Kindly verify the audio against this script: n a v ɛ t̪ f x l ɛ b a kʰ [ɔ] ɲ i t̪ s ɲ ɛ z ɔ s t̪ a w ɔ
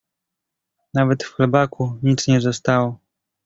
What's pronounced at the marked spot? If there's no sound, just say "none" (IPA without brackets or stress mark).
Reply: u